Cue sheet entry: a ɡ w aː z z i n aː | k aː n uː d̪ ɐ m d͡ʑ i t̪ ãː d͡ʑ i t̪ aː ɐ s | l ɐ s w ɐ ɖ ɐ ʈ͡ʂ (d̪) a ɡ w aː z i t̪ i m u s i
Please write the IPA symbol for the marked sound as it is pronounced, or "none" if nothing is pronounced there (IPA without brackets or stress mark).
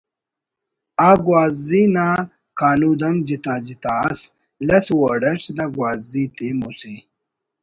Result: d̪